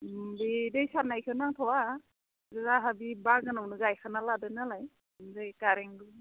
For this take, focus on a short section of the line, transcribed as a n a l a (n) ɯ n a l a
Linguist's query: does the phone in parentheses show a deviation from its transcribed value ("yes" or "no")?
yes